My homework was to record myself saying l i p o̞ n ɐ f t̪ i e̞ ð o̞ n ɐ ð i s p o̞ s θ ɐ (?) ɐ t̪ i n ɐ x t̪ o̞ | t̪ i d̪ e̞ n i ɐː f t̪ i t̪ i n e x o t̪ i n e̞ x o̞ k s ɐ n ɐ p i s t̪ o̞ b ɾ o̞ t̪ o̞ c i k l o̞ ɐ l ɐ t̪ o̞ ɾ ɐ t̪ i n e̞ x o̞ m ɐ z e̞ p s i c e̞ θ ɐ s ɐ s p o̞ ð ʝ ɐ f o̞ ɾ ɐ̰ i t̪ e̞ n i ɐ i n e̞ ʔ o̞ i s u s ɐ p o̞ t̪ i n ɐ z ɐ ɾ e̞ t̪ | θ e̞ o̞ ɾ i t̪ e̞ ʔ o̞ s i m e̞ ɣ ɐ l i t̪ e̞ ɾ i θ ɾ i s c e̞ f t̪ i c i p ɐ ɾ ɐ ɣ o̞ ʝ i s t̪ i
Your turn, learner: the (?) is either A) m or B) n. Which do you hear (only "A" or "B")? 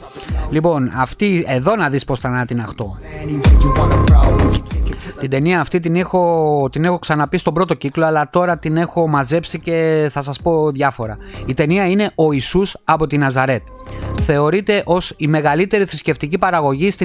B